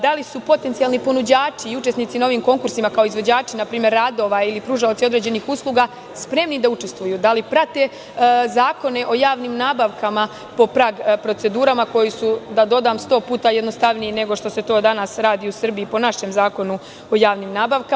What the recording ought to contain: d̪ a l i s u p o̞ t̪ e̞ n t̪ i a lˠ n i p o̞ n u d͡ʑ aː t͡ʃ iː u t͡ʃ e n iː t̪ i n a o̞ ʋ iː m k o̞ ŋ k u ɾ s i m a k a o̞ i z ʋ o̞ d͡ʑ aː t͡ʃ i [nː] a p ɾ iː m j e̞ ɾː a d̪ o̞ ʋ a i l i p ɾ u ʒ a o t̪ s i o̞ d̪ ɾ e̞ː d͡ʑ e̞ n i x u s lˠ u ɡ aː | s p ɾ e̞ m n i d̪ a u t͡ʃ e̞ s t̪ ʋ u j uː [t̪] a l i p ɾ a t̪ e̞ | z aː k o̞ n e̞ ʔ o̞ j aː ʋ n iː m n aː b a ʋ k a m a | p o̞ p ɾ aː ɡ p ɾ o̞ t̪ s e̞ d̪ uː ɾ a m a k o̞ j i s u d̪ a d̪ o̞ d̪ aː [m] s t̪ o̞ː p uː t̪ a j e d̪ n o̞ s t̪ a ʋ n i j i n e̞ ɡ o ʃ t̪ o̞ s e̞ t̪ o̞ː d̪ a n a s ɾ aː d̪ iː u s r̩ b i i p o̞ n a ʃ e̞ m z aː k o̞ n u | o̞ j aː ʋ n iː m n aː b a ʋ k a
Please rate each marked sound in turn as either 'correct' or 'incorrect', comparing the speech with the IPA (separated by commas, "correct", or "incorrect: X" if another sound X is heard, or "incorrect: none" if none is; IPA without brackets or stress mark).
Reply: incorrect: n, incorrect: d̪, correct